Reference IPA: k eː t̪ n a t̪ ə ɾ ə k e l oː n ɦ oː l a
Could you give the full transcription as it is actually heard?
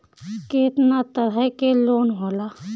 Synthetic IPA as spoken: k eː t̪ n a t̪ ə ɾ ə k e l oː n ɦ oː l a